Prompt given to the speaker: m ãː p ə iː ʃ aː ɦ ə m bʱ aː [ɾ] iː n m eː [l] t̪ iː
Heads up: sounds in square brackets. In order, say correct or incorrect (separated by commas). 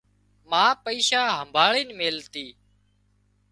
incorrect, correct